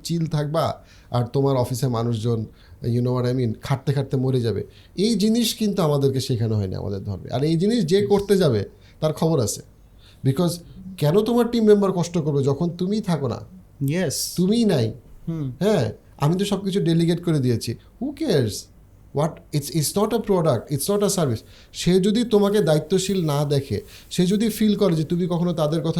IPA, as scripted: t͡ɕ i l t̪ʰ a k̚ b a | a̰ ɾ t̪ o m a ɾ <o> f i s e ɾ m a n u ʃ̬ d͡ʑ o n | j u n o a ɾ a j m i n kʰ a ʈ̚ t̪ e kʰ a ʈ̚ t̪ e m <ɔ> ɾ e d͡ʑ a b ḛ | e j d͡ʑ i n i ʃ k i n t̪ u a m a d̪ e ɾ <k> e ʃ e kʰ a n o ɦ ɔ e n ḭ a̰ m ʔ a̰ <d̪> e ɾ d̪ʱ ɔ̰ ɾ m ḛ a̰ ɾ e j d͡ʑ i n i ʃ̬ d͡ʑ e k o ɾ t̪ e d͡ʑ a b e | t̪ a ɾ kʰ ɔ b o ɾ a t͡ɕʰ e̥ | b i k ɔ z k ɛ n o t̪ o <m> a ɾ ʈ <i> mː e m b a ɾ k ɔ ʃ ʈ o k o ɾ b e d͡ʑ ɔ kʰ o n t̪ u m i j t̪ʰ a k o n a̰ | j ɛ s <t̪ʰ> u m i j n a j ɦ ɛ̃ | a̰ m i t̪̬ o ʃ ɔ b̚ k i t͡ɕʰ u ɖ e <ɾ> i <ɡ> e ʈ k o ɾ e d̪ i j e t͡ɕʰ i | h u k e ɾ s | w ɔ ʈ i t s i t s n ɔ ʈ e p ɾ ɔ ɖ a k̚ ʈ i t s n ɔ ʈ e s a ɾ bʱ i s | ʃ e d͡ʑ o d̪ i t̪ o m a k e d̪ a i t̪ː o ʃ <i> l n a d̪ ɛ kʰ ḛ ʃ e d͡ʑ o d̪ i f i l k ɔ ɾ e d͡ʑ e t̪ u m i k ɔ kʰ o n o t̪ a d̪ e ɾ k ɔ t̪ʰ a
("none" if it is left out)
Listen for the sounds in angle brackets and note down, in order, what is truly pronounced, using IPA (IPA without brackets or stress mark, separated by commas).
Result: ɔ, o, k, d̪, m, i, t̪, l, ɡ, i